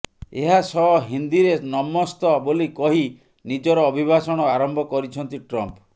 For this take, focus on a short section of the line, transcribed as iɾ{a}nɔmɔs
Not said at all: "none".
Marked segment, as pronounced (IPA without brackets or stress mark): e